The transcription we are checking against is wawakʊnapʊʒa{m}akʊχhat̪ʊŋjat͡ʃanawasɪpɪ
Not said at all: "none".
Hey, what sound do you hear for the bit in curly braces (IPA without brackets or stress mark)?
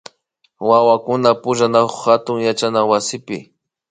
n